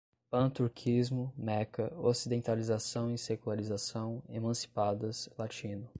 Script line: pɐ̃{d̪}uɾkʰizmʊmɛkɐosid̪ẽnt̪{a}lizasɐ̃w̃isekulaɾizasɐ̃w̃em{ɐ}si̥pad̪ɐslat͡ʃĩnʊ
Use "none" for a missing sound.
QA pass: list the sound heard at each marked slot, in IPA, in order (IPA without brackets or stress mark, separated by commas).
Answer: t̪, a, ɐ̃